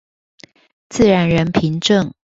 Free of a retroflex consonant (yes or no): no